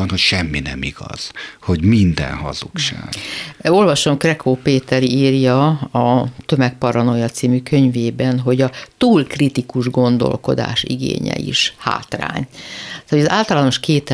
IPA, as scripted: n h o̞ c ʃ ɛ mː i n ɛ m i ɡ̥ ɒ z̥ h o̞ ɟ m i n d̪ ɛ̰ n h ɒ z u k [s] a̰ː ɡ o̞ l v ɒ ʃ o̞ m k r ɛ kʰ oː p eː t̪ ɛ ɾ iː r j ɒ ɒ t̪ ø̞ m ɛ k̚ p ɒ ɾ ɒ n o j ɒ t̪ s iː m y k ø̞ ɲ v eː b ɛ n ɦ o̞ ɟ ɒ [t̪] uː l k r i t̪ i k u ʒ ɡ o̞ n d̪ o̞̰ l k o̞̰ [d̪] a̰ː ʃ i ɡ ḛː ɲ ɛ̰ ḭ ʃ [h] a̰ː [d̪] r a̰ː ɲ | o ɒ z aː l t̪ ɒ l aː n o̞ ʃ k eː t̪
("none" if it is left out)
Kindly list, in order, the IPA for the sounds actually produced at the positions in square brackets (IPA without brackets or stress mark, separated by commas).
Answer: ʃ, t̪, d̪, h, t̪